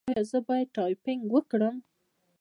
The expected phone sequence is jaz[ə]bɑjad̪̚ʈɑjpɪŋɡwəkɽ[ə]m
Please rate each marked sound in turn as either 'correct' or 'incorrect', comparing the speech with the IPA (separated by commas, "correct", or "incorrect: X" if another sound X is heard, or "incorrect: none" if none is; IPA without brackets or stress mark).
correct, correct